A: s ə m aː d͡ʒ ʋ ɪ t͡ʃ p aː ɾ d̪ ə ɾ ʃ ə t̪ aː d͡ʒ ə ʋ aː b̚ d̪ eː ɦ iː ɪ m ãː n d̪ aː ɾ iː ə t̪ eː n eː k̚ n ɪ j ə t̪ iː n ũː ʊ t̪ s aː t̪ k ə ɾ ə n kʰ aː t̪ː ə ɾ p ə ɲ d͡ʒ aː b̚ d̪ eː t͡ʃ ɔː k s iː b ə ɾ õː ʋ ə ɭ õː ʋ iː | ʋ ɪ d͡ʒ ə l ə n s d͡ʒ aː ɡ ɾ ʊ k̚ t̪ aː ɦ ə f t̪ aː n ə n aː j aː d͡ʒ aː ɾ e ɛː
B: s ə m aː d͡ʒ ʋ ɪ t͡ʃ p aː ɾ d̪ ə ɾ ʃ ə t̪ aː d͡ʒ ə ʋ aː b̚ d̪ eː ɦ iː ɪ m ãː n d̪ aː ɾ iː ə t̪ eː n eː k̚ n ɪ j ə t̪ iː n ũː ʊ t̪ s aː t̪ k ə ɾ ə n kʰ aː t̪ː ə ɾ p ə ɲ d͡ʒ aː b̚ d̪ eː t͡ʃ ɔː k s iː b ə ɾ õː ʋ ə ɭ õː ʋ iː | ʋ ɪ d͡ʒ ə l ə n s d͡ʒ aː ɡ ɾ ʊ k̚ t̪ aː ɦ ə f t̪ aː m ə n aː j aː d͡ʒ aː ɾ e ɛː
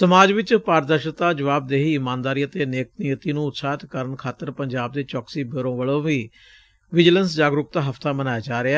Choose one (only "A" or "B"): B